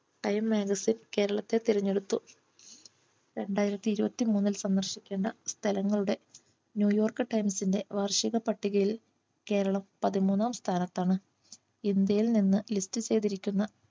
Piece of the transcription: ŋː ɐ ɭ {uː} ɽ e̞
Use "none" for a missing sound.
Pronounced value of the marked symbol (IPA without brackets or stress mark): u